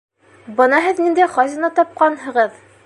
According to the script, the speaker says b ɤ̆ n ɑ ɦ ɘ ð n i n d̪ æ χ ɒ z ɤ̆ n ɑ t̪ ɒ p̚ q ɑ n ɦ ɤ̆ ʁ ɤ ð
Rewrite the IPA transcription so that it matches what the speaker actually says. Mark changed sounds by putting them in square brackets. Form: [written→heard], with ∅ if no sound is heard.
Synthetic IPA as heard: b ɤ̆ n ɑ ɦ ɘ ð n i n d̪ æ χ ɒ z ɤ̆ n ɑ t̪ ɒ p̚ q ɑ n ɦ ɤ̆ ʁ ɤ ð